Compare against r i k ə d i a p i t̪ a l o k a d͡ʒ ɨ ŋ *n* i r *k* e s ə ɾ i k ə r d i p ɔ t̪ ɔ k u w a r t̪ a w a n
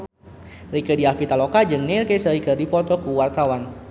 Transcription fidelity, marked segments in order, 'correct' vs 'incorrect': correct, correct

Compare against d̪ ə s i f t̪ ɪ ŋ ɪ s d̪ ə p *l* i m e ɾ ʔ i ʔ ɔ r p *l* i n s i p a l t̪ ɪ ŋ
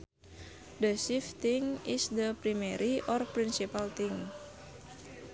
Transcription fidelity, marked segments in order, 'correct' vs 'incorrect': incorrect: ɾ, incorrect: ɾ

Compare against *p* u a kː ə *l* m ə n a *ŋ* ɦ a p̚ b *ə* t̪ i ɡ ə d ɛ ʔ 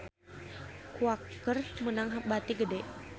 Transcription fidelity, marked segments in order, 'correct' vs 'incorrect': incorrect: k, incorrect: r, correct, incorrect: a

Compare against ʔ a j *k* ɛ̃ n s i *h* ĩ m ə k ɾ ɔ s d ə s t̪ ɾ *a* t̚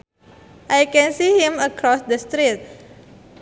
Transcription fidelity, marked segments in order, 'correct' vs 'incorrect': correct, correct, incorrect: i

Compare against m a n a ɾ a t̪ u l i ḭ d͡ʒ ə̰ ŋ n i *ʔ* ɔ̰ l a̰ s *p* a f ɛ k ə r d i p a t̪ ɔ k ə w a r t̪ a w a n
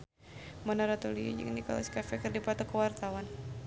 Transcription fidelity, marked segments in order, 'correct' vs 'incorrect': incorrect: k, incorrect: k

